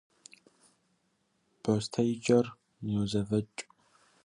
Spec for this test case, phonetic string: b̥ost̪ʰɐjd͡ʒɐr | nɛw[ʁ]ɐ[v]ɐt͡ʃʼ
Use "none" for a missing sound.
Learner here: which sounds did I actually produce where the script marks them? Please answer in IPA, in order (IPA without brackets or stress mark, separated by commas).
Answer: z, v